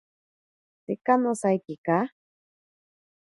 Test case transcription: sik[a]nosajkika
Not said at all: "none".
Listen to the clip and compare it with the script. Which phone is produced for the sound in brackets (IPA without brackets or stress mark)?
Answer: a